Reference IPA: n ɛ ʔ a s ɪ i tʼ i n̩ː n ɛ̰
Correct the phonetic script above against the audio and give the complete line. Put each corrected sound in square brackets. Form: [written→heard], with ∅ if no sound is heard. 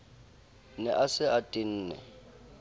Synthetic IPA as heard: n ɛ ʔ a s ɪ [i→a] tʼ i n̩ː n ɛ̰